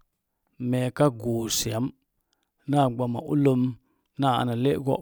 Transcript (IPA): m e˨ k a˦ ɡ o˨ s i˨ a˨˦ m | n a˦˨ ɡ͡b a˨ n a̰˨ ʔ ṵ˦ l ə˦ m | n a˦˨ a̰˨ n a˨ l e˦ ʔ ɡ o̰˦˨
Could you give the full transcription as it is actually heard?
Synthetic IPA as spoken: m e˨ k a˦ ɡ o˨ s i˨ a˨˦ m | n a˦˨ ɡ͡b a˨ m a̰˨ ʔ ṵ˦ l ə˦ m | n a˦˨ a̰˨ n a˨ l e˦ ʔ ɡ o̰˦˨